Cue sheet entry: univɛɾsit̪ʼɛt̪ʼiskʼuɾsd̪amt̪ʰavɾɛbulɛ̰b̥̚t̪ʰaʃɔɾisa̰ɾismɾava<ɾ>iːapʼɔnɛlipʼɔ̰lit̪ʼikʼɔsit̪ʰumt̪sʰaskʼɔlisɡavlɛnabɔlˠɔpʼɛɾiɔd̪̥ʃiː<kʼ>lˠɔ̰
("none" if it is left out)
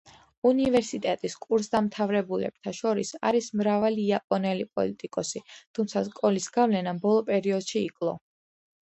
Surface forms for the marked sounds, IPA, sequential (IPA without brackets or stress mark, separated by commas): l, kʼ